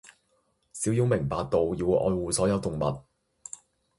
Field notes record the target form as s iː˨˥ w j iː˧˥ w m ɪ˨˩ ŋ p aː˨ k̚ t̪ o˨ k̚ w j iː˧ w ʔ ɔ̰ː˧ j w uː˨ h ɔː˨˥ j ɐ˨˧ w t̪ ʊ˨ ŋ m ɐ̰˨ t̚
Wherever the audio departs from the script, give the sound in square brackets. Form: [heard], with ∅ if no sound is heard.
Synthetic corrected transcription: s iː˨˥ w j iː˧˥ w m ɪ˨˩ ŋ p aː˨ k̚ t̪ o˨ [∅] w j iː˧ w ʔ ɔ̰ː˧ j w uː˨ [s] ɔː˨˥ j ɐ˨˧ w t̪ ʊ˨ ŋ m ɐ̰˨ t̚